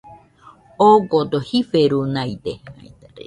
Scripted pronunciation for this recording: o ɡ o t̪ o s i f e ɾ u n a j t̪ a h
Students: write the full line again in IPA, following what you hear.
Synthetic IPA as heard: o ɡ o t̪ o h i f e ɾ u n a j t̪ e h